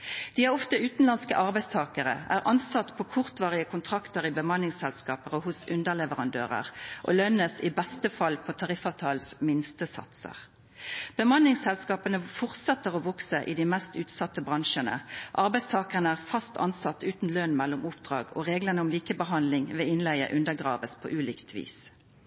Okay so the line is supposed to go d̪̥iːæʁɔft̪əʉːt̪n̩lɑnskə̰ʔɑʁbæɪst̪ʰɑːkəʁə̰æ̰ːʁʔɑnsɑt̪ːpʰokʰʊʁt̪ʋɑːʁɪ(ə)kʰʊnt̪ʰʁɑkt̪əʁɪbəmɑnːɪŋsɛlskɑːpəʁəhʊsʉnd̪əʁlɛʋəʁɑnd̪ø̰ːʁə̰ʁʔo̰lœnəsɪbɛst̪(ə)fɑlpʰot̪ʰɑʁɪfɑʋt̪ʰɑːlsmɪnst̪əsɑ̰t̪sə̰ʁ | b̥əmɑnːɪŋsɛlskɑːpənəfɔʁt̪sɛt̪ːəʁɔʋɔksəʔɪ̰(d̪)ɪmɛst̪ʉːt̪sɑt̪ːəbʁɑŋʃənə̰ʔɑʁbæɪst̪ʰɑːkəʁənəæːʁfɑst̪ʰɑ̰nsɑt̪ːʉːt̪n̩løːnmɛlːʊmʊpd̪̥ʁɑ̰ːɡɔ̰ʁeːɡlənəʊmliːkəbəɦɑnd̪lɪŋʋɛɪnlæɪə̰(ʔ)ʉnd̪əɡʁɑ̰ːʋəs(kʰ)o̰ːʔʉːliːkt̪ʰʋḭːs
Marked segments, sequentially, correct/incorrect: correct, correct, correct, correct, incorrect

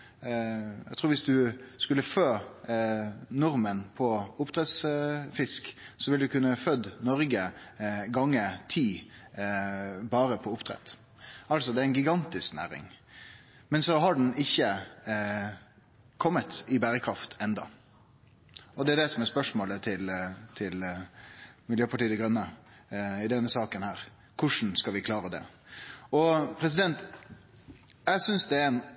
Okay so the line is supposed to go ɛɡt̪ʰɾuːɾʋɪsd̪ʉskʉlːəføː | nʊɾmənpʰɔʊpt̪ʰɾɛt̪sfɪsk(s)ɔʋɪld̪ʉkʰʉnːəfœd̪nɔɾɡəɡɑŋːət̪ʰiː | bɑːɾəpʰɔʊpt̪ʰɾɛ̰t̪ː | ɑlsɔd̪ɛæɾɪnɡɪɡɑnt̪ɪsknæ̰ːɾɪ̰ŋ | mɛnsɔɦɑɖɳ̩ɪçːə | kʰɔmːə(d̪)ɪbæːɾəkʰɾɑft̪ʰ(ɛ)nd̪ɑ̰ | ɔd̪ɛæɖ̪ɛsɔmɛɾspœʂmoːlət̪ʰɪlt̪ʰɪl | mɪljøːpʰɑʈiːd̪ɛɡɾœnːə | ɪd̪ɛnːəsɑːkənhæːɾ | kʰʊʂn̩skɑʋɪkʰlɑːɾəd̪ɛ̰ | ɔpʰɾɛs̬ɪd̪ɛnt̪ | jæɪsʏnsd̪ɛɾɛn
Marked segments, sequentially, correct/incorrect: correct, incorrect, correct

